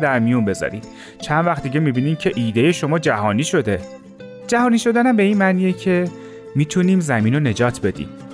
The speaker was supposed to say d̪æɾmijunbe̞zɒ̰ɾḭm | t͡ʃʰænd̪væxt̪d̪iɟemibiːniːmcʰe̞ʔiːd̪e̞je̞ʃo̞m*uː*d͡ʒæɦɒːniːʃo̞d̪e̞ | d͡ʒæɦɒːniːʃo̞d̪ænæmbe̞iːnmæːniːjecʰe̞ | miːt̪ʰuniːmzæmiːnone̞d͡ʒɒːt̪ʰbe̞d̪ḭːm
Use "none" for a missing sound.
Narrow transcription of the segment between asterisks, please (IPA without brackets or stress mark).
ɒː